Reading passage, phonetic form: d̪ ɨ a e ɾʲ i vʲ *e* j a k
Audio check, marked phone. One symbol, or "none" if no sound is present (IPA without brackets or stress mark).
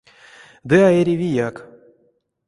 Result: i